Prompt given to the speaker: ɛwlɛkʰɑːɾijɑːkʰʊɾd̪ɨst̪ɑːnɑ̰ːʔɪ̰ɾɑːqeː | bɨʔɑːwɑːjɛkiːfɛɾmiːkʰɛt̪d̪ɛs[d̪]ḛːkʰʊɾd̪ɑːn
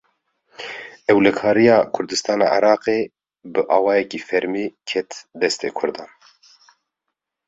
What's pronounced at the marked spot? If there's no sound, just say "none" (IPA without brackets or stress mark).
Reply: t̪